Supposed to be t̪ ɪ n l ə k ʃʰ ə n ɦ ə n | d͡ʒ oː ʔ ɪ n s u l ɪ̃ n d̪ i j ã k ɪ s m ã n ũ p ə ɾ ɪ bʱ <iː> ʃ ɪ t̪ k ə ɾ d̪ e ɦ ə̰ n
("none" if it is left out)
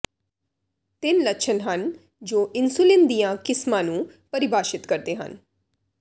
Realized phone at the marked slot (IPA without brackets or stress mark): aː